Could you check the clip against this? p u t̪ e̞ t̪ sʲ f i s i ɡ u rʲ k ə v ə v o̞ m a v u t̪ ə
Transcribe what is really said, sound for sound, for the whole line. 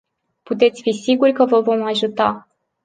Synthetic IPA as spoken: p u t̪ e̞ t̪ sʲ f i s i ɡ u rʲ k ə v ə v o̞ m a ʒ u t̪ a